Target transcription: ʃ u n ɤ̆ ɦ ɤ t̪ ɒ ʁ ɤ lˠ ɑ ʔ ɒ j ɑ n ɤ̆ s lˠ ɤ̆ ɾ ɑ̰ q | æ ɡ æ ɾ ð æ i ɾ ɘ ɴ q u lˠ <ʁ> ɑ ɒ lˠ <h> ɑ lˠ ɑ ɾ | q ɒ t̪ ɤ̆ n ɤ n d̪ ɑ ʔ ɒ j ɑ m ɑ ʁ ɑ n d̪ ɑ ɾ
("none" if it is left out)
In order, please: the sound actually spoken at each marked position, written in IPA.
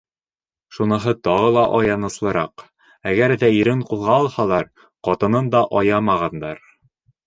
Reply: ʁ, h

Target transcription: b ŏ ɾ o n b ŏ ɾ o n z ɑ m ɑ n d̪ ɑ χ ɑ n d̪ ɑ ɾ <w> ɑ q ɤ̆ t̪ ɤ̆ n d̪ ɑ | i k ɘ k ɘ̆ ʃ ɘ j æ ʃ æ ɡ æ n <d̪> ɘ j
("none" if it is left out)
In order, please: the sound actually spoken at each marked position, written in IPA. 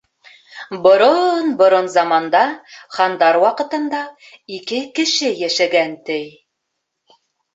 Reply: w, t̪

